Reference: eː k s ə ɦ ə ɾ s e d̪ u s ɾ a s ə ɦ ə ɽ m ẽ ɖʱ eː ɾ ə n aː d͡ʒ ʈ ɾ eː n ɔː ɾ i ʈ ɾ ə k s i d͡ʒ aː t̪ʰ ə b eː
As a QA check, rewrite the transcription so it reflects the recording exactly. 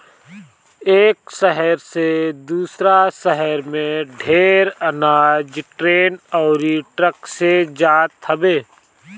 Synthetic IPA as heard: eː k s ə ɦ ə ɾ s e d̪ uː s ɾ a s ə ɦ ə ɾ m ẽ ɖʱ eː ɾ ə n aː d͡ʒ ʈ ɾ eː n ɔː ɾ i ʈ ɾ ə k s e d͡ʒ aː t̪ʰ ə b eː